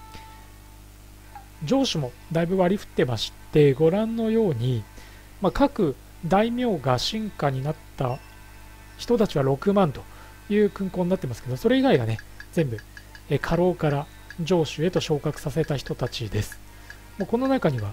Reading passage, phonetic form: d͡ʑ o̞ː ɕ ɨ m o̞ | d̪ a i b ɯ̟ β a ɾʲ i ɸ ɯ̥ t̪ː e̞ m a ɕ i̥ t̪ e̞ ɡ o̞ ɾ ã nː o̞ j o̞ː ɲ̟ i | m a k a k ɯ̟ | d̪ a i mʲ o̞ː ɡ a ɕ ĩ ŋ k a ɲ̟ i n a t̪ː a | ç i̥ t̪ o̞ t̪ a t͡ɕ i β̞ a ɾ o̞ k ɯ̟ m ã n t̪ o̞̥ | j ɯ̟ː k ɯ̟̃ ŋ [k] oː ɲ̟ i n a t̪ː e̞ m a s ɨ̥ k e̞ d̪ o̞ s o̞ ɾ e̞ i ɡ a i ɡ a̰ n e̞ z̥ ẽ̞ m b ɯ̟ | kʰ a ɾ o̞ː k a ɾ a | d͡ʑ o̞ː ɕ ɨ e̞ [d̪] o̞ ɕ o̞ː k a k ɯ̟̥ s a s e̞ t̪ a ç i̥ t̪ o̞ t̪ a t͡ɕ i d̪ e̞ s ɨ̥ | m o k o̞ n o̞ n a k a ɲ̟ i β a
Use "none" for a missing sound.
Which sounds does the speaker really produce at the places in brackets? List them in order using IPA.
k, t̪

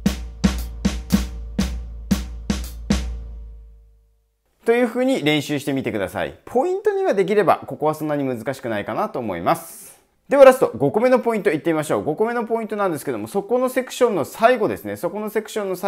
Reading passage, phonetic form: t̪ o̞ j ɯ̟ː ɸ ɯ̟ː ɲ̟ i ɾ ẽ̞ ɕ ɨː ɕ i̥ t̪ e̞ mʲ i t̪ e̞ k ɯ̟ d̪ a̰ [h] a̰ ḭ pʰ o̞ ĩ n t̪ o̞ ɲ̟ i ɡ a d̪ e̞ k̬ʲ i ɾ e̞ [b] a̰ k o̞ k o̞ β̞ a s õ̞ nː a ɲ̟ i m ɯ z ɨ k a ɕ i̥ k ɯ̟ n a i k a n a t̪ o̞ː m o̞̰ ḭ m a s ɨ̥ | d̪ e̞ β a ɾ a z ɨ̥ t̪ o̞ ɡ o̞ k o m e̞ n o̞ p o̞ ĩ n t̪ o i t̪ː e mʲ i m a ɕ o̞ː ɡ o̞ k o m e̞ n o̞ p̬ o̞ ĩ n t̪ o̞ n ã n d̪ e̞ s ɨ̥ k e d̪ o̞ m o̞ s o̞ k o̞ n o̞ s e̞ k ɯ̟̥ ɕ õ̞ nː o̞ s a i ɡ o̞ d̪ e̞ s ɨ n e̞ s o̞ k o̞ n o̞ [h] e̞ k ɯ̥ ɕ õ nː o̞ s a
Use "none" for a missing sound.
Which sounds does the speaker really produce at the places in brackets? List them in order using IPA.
s, b, s

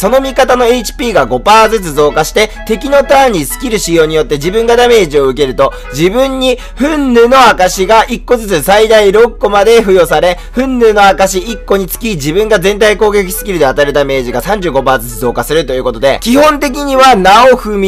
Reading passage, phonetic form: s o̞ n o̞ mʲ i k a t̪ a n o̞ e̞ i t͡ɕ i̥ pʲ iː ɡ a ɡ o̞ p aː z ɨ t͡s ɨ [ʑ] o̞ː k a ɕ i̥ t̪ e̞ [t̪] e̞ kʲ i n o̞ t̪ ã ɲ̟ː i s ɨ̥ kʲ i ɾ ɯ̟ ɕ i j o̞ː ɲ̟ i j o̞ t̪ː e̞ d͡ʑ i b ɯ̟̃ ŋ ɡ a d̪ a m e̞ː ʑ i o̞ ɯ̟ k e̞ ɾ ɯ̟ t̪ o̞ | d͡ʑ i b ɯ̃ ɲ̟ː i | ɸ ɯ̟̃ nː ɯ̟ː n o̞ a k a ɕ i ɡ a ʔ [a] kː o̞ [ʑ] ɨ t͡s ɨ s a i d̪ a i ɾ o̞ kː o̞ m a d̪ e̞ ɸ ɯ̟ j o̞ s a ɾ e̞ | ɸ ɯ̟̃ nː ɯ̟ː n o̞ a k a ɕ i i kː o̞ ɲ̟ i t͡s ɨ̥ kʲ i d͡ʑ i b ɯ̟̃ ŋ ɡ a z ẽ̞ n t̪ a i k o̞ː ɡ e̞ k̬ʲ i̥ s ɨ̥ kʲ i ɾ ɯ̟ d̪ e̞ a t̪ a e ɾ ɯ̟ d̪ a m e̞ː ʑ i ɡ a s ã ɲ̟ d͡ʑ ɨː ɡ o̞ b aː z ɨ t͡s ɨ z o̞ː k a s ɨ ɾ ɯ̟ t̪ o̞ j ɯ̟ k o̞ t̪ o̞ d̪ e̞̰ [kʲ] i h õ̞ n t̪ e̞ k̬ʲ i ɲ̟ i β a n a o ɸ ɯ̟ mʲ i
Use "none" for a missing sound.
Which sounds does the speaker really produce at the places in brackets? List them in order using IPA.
z, t̪, i, z, kʲ

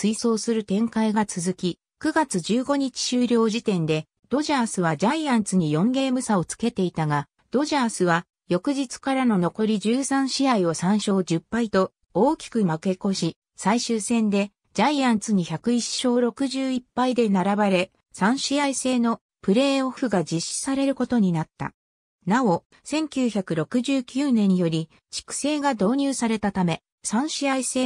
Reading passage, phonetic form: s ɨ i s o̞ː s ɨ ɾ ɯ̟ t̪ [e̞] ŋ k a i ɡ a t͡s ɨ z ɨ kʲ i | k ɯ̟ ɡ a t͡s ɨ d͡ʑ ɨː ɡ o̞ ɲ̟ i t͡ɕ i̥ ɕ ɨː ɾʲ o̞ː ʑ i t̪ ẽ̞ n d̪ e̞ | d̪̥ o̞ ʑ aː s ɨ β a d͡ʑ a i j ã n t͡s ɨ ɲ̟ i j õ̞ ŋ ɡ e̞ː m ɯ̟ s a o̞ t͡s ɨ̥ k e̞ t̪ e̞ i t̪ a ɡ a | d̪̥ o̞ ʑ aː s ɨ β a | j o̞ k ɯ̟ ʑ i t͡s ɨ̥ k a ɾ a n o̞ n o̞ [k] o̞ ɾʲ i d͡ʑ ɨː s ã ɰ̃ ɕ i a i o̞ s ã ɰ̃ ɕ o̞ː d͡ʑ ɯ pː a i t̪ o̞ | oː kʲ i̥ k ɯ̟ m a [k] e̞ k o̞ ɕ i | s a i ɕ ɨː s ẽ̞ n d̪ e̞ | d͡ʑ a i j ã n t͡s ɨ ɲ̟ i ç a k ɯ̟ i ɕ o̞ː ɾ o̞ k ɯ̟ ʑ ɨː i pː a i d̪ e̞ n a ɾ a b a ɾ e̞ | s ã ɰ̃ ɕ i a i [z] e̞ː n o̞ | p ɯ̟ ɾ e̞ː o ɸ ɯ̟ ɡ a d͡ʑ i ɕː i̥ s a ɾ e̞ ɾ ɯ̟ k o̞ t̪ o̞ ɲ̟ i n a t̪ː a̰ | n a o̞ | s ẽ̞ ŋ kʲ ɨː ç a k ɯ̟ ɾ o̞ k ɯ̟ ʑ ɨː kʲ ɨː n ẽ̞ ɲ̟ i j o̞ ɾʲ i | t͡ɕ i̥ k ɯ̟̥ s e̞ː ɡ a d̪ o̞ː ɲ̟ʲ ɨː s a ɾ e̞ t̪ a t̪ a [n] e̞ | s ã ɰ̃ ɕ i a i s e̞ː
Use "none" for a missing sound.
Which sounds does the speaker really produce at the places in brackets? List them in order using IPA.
ẽ̞, k, k, s, m

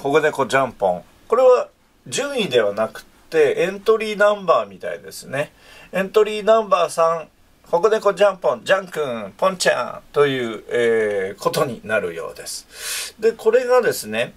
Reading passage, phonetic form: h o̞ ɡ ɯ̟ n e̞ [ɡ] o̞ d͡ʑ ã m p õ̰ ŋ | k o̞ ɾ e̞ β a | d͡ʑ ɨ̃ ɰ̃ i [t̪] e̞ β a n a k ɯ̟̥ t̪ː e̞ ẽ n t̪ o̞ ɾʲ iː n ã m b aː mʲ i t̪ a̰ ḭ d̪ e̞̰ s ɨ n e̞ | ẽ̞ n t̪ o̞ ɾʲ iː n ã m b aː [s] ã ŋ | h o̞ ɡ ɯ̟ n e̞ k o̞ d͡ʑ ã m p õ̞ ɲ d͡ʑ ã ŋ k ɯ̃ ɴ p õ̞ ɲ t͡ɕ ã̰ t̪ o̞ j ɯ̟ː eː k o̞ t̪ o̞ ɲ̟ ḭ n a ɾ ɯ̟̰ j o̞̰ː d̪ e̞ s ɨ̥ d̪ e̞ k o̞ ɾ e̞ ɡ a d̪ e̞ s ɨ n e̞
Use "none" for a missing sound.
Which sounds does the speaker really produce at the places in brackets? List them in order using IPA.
k, d̪, s

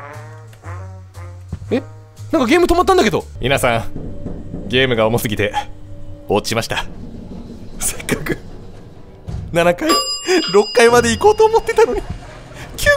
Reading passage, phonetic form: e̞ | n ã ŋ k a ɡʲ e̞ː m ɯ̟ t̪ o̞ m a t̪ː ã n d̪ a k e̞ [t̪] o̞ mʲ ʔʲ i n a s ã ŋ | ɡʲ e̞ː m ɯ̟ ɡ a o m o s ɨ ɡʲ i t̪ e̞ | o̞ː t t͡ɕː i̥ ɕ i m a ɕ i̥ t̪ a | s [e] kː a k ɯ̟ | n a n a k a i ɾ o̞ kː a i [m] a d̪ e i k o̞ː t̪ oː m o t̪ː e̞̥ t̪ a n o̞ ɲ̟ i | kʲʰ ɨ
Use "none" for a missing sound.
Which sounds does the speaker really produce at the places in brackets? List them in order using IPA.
d̪, e, m

